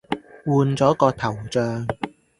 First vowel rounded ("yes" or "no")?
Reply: yes